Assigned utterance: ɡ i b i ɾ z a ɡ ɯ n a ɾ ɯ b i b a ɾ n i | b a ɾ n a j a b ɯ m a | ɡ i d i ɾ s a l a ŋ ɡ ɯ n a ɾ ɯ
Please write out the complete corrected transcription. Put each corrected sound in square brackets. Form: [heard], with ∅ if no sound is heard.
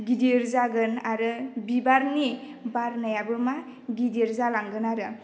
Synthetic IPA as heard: ɡ i [d] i ɾ z a ɡ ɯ n a ɾ ɯ b i b a ɾ n i | b a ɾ n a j a b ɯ m a | ɡ i d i ɾ [z] a l a ŋ ɡ ɯ n a ɾ ɯ

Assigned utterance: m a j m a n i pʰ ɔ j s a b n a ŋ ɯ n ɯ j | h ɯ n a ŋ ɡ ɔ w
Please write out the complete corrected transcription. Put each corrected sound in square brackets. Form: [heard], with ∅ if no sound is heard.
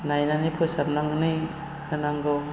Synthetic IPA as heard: [n] a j [n] a n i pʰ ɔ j s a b n a ŋ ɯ n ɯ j | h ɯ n a ŋ ɡ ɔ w

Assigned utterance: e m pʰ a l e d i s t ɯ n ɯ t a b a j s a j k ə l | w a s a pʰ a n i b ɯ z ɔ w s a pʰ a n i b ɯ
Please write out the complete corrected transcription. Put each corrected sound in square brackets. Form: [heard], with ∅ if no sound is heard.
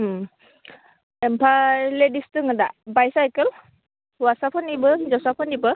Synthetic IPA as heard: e m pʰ a l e d i s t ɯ [ŋ] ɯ [d] a b a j s a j k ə l | w a s a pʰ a n i b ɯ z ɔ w s a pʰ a n i b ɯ

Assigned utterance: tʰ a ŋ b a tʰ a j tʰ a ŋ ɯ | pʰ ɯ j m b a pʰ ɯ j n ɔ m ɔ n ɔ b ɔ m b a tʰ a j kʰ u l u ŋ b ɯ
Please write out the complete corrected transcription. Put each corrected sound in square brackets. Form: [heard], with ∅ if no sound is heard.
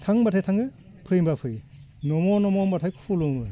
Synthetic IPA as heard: tʰ a ŋ b a tʰ a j tʰ a ŋ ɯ | pʰ ɯ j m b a pʰ ɯ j n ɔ m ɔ n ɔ [m] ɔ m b a tʰ a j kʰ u l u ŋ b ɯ

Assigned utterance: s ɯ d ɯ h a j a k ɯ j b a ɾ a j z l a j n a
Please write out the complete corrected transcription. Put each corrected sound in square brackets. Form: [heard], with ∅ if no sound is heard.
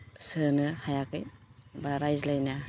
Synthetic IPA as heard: s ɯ [n] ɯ h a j a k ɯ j b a ɾ a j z l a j n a

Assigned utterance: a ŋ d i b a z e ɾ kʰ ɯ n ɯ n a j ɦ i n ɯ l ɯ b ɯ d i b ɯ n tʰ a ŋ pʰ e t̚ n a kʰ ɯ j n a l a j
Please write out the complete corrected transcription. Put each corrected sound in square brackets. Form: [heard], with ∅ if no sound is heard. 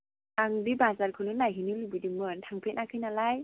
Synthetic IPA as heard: a ŋ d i b a z [a] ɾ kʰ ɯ n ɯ n a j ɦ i n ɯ l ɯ b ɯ d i [m] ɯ n tʰ a ŋ pʰ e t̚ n a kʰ ɯ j n a l a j

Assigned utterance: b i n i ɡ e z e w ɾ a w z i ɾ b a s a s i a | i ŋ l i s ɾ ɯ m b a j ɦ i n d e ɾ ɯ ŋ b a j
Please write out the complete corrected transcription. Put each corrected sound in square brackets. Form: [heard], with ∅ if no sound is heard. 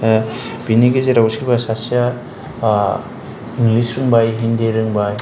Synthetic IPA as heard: b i n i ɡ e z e [∅] ɾ a w [s] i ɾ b a s a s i a | i ŋ l i s ɾ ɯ [ŋ] b a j ɦ i n d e ɾ ɯ ŋ b a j

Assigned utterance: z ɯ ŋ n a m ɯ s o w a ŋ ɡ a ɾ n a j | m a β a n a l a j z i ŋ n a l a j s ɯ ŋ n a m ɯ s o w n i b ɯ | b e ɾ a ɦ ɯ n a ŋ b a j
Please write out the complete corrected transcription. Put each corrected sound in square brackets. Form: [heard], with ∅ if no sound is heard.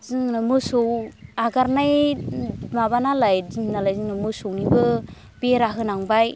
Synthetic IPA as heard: z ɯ ŋ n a m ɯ s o w a [∅] ɡ a ɾ n a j | m a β a n a l a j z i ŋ n a l a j [z] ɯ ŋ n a m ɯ s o w n i b ɯ | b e ɾ a ɦ ɯ n a ŋ b a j

